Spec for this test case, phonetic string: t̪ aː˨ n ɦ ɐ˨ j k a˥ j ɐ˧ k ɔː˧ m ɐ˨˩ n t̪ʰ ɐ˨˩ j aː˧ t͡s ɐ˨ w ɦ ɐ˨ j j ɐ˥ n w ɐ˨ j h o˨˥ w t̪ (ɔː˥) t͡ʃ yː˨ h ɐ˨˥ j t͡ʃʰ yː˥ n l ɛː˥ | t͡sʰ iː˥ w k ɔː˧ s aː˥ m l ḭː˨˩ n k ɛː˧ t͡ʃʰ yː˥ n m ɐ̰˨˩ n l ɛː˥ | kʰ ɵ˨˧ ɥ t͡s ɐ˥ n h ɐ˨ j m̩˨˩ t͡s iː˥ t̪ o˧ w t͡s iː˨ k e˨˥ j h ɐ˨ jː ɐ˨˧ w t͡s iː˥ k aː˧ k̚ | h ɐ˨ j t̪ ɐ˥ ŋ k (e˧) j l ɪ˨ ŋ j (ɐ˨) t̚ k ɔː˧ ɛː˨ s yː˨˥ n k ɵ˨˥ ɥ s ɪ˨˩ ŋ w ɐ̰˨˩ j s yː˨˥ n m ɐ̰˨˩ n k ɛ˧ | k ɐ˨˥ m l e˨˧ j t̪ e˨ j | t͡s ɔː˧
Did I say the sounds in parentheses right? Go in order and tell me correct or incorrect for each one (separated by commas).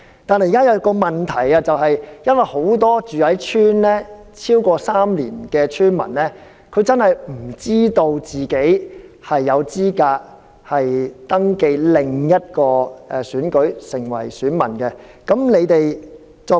correct, correct, incorrect